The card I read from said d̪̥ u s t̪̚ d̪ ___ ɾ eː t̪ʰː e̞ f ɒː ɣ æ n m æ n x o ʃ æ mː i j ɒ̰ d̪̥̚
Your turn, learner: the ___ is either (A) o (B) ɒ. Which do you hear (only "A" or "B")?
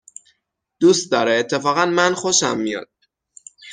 B